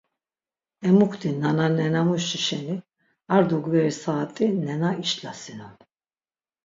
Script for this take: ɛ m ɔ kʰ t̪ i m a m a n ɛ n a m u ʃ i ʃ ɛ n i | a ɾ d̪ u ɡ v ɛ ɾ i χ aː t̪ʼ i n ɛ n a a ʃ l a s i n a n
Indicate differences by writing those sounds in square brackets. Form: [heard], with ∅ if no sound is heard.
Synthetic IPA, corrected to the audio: ɛ m [u] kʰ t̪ i [n] a [n] a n ɛ n a m u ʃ i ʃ ɛ n i | a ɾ d̪ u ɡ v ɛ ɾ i [s] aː t̪ʼ i n ɛ n a [i] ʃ l a s i n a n

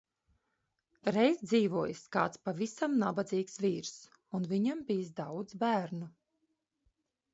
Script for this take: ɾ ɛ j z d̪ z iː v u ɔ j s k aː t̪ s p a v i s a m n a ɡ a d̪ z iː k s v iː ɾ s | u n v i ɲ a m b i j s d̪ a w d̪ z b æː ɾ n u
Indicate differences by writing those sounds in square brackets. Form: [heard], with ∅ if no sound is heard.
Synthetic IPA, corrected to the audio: ɾ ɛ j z d̪ z iː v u ɔ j s k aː t̪ s p a v i s a m n a [b] a d̪ z iː k s v iː ɾ s | u n v i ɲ a m b i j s d̪ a w d̪ z b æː ɾ n u

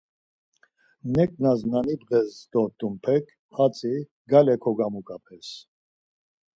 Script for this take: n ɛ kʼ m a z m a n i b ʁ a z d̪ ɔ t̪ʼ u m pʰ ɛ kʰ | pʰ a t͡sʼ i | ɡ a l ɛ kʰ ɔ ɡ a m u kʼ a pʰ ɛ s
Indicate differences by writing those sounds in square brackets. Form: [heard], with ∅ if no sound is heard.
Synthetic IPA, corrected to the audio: n ɛ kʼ [n] a z [n] a n i b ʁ [ɛ] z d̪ ɔ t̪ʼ u m pʰ ɛ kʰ | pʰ a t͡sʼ i | ɡ a l ɛ kʰ ɔ ɡ a m u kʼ a pʰ ɛ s

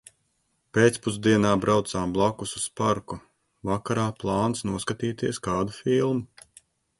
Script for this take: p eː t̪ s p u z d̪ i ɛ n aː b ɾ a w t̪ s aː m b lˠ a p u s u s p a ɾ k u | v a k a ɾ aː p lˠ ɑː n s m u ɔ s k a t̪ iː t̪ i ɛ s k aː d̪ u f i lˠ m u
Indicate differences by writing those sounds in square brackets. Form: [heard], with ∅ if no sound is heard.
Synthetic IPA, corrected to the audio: p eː t̪ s p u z d̪ i ɛ n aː b ɾ a w t̪ s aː m b lˠ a [k] u s u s p a ɾ k u | v a k a ɾ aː p lˠ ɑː n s [n] u ɔ s k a t̪ iː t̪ i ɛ s k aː d̪ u f i lˠ m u

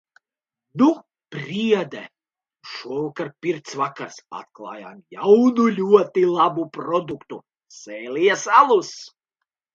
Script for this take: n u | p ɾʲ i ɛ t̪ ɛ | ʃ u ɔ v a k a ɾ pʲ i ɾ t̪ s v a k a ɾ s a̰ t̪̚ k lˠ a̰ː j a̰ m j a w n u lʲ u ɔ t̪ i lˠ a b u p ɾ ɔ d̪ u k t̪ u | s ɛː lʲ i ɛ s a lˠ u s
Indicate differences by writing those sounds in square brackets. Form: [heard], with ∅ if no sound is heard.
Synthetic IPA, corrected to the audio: n u | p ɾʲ i ɛ [d̪] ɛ | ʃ u ɔ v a k a ɾ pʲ i ɾ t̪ s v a k a ɾ s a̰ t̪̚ k lˠ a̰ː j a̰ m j a w n u lʲ u ɔ t̪ i lˠ a b u p ɾ ɔ d̪ u k t̪ u | s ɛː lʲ i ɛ s a lˠ u s

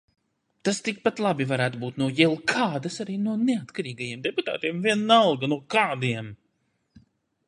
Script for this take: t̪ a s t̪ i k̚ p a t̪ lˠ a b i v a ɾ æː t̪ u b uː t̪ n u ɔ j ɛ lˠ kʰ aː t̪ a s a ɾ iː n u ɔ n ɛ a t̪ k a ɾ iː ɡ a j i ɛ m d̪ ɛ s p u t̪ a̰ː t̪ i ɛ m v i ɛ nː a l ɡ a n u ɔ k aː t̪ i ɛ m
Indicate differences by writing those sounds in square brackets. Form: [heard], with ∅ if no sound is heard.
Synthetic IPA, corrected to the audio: t̪ a s t̪ i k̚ p a t̪ lˠ a b i v a ɾ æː t̪ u b uː t̪ n u ɔ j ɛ lˠ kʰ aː [d̪] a s a ɾ iː n u ɔ n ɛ a t̪ k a ɾ iː ɡ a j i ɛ m d̪ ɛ [∅] p u t̪ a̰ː t̪ i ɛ m v i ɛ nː a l ɡ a n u ɔ k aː [d̪] i ɛ m

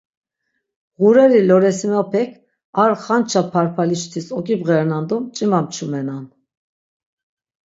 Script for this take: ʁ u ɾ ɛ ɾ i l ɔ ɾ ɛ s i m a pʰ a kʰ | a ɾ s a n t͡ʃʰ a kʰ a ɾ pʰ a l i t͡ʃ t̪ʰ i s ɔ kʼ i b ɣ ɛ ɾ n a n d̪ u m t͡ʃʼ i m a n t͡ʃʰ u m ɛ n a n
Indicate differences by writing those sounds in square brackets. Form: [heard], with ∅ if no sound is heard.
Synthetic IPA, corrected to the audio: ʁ u ɾ ɛ ɾ i l ɔ ɾ ɛ s i m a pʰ [ɛ] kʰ | a ɾ [χ] a n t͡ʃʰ a [pʰ] a ɾ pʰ a l i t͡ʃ t̪ʰ i s ɔ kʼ i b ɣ ɛ ɾ n a n d̪ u m t͡ʃʼ i m a [m] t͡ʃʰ u m ɛ n a n

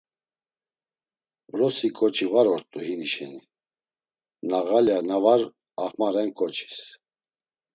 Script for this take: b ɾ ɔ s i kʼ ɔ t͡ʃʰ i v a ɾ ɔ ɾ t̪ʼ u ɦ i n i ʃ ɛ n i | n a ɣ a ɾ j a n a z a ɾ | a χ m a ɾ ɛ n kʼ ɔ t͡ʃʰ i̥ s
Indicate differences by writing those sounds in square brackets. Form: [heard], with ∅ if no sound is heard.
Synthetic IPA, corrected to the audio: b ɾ ɔ s i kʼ ɔ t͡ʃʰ i v a ɾ ɔ ɾ t̪ʼ u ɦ i n i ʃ ɛ n i | n a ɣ a [l] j a n a [v] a ɾ | a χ m a ɾ ɛ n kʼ ɔ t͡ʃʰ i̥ s

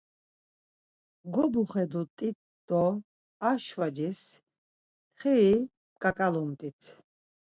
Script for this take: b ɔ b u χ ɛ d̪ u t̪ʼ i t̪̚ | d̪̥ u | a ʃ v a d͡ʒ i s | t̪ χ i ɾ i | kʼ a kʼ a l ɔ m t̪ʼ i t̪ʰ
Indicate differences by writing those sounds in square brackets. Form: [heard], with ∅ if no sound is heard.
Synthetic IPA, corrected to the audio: [ɡ] ɔ b u χ ɛ d̪ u t̪ʼ i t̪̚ | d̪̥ [ɔ] | a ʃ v a d͡ʒ i s | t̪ χ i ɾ i | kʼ a kʼ a l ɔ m t̪ʼ i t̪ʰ

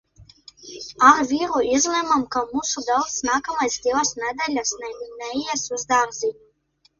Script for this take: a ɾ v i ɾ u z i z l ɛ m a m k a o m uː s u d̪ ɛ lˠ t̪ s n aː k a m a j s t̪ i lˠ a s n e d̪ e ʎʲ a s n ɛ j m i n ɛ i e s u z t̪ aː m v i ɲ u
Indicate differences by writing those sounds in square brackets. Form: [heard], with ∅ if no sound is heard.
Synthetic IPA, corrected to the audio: a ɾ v i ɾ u [∅] i z l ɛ m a m k a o m [u] s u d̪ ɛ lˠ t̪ s n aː k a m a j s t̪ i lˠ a s n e d̪ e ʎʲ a s n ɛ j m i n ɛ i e s u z [d̪] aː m [z] i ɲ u

